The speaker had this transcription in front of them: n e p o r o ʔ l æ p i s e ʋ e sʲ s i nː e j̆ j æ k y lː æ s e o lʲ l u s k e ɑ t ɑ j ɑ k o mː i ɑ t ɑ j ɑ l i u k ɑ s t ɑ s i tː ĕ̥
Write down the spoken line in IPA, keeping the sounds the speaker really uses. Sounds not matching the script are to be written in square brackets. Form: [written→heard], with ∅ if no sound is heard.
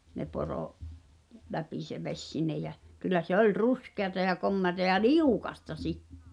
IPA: n e p o r o ʔ l æ p i s e ʋ e sʲ s i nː e j̆ j æ k y lː æ s e o lʲ [l→r] u s k e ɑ t ɑ j ɑ k o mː [i→e] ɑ t ɑ j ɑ l i u k ɑ s t ɑ s i tː ĕ̥